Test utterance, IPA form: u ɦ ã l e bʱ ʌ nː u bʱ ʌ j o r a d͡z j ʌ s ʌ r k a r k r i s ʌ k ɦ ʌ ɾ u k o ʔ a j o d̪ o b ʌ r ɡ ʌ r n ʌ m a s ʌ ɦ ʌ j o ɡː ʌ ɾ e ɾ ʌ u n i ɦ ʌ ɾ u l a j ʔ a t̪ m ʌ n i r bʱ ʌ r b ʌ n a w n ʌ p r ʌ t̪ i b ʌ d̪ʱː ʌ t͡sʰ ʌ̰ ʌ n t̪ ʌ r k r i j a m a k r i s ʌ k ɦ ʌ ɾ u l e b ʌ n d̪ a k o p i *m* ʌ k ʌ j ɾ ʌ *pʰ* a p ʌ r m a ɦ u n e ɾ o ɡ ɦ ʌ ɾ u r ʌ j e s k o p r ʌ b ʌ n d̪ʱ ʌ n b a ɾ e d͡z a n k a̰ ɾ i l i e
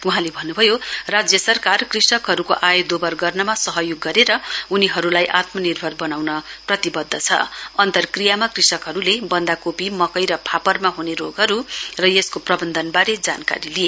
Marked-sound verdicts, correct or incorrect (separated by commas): correct, correct